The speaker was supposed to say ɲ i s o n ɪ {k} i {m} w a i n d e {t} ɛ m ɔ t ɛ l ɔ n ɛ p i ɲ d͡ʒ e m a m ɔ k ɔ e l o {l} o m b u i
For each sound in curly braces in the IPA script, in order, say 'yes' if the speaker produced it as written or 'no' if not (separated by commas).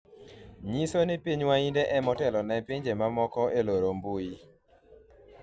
no, no, no, no